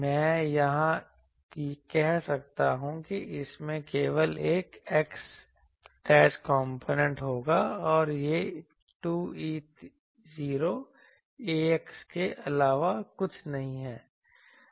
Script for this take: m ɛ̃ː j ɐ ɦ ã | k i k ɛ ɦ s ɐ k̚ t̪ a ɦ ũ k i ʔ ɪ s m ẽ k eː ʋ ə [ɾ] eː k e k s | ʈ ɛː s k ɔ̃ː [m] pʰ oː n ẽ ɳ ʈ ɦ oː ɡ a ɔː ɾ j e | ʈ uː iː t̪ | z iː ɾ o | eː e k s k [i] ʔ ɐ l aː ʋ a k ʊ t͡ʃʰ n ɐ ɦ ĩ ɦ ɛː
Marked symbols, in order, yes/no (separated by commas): no, yes, no